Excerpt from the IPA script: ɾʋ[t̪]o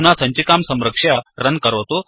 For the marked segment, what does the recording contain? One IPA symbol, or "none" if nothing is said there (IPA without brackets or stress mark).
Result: t̪